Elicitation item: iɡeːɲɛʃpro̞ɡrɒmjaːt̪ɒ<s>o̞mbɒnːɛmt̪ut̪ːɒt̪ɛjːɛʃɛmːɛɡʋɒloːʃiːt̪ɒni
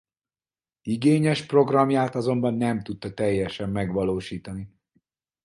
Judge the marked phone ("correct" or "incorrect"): incorrect